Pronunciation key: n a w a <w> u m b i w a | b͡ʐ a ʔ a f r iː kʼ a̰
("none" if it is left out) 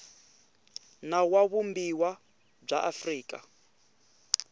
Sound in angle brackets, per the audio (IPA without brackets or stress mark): β